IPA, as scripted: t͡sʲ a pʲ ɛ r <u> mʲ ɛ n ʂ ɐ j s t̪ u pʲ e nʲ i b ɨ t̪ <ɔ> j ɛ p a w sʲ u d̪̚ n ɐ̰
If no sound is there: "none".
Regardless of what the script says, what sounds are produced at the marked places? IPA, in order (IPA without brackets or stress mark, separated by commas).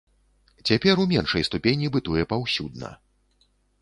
u, u